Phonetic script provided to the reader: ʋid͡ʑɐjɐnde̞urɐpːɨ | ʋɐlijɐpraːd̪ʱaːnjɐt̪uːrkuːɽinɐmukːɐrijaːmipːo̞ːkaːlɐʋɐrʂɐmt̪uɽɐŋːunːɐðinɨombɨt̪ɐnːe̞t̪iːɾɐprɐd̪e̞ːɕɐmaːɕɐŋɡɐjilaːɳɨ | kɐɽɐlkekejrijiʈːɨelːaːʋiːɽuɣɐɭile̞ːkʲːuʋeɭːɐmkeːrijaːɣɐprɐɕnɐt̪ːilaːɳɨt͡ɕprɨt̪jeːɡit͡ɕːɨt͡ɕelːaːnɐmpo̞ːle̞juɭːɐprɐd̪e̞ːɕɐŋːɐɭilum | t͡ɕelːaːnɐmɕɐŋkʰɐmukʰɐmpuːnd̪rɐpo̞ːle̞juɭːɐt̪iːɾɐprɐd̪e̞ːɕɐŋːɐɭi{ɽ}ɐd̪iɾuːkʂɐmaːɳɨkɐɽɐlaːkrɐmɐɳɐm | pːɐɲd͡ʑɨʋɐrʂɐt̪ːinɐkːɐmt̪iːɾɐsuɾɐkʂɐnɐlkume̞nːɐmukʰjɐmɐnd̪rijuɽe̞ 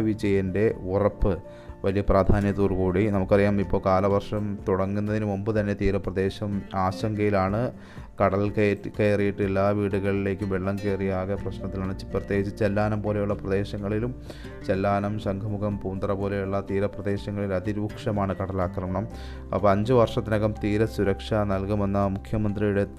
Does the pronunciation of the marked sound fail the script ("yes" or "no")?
yes